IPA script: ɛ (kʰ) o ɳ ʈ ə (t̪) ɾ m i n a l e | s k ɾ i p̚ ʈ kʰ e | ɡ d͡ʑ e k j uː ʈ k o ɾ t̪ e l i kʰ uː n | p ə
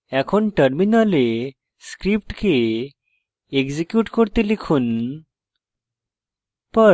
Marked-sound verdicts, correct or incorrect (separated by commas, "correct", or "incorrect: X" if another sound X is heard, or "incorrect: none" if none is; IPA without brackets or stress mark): correct, incorrect: none